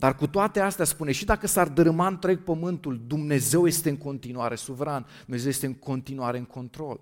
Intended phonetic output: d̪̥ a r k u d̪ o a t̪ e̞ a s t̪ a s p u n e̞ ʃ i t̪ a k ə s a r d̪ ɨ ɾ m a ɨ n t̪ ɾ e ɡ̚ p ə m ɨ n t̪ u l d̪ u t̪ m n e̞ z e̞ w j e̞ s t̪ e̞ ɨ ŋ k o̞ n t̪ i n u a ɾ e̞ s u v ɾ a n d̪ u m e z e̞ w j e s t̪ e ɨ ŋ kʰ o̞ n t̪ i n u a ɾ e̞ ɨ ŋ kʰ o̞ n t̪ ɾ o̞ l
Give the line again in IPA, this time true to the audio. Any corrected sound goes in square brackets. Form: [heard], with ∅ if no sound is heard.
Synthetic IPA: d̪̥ a r k u [t̪] o a t̪ e̞ a s t̪ a s p u n e̞ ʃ i [d̪] a k ə s a r d̪ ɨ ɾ m a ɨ n t̪ ɾ e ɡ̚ p ə m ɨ n t̪ u l d̪ u [∅] m n e̞ z e̞ w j e̞ s t̪ e̞ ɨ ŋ k o̞ n t̪ i n u a ɾ e̞ s u v ɾ a n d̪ u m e z e̞ w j e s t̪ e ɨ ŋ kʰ o̞ n t̪ i n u a ɾ e̞ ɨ ŋ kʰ o̞ n t̪ ɾ o̞ l